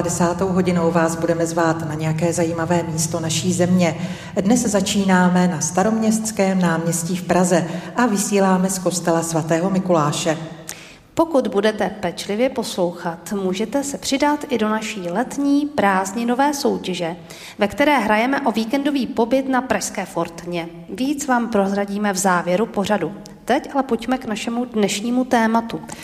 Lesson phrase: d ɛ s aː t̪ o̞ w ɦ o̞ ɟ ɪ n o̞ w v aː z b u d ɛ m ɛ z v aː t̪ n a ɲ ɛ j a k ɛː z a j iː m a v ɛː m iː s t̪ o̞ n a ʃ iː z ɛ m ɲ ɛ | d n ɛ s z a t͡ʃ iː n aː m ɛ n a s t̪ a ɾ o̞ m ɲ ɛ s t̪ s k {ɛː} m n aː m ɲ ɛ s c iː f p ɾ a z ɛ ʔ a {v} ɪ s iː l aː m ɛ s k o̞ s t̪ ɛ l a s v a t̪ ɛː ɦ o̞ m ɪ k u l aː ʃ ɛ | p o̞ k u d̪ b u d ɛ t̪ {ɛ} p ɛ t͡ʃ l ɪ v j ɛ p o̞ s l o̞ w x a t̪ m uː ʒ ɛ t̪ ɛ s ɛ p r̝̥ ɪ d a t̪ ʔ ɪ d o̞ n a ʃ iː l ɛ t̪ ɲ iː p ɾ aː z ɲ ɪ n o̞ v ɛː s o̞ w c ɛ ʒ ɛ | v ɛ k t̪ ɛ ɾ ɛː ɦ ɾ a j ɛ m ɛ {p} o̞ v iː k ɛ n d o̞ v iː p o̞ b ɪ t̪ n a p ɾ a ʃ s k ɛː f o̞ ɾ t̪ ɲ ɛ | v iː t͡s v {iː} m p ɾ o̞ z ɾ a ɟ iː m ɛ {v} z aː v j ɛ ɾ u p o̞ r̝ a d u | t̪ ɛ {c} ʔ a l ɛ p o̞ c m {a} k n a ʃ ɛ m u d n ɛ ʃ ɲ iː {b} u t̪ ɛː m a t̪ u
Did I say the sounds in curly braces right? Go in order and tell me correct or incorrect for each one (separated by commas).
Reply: correct, correct, correct, incorrect, incorrect, correct, correct, incorrect, incorrect